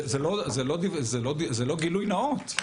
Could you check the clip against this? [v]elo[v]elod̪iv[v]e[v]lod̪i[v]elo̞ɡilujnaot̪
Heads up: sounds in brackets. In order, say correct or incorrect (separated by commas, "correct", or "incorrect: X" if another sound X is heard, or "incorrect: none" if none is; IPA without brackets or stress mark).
incorrect: z, incorrect: z, incorrect: z, incorrect: none, incorrect: z